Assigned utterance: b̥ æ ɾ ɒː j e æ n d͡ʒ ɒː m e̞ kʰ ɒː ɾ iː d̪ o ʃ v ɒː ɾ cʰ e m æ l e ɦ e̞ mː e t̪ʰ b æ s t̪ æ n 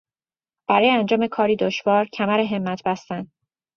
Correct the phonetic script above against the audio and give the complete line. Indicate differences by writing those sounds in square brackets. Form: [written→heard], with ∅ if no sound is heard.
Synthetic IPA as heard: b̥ æ ɾ ɒː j e æ n d͡ʒ ɒː m e̞ kʰ ɒː ɾ iː d̪ o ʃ v ɒː ɾ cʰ [e→æ] m æ [l→ɾ] e ɦ e̞ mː [e→æ] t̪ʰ b æ s t̪ æ n